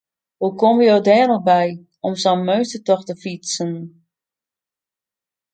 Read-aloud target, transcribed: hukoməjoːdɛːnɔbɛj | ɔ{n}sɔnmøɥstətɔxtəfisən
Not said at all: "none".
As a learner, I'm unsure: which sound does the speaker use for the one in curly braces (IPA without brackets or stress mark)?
m